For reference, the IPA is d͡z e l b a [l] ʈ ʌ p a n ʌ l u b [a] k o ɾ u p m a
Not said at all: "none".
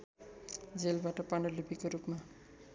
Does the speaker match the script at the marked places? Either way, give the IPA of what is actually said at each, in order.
none, i

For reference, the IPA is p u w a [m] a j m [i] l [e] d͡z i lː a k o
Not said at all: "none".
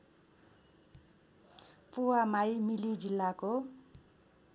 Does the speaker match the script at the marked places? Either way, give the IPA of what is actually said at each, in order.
m, i, i

